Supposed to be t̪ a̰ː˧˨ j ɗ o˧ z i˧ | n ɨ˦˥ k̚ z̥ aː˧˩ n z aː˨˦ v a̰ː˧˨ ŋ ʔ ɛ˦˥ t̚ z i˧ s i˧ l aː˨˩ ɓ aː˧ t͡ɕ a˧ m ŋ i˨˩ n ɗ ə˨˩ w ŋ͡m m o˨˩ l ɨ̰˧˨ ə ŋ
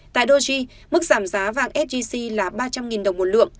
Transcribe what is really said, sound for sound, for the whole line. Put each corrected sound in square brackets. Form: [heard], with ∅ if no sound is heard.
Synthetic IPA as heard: t̪ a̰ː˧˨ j ɗ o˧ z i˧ | [m] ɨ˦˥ k̚ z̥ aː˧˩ [m] z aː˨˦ v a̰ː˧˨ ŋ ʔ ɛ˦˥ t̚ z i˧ s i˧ l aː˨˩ ɓ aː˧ t͡ɕ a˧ m ŋ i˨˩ n ɗ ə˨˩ w ŋ͡m m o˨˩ l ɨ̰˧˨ ə ŋ